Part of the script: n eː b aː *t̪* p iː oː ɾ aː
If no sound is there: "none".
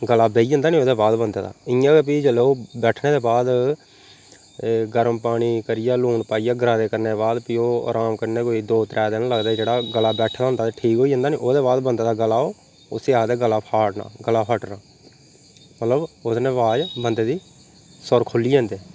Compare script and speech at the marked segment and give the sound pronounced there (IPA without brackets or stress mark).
d̪